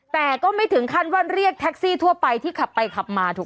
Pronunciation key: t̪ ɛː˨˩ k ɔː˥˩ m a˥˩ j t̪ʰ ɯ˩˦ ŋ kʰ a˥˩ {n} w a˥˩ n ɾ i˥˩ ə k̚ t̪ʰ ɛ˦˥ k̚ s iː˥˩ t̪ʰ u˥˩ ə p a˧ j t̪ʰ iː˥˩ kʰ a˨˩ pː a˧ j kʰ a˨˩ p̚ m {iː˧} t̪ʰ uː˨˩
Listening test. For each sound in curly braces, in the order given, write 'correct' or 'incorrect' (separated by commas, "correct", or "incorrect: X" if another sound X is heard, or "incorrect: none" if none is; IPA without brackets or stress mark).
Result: correct, incorrect: aː˧